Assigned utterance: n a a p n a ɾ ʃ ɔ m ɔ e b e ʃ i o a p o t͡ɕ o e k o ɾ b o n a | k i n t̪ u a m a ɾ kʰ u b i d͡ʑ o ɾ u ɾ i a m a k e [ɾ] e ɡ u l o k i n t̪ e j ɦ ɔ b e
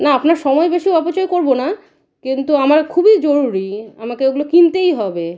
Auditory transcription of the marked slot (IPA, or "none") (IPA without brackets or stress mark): none